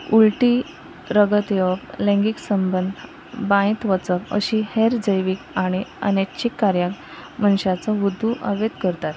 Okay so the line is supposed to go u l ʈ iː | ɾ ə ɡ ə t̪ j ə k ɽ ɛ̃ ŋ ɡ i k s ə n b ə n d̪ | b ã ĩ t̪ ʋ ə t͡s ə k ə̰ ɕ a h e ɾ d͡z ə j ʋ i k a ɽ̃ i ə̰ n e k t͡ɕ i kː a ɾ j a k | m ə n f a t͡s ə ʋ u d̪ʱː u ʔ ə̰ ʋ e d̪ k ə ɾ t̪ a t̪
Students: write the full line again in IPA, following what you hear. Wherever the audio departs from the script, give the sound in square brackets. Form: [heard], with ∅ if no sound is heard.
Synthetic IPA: u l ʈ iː | ɾ ə ɡ ə t̪ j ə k [l] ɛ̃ ŋ ɡ i k s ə [m] b ə n d̪ | b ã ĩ t̪ ʋ ə t͡s ə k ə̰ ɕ [i] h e ɾ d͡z ə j ʋ i k a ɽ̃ i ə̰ n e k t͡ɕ i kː a ɾ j a k | m ə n [ɕ] a t͡s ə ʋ u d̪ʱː u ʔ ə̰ ʋ e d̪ k ə ɾ t̪ a t̪